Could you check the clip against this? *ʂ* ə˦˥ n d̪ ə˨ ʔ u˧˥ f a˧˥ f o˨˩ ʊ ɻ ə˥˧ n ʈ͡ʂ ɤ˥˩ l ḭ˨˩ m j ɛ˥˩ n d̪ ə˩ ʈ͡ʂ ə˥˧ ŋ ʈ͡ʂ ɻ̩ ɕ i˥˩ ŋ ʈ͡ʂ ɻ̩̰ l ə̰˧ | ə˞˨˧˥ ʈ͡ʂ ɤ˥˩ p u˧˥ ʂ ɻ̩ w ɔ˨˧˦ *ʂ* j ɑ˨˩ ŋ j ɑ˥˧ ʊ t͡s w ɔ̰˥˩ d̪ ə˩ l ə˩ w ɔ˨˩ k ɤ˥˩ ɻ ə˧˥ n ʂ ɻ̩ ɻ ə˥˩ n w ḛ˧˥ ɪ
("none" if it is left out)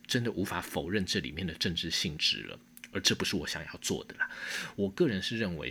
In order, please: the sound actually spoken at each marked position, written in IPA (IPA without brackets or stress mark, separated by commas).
ʈ͡ʂ, ɕ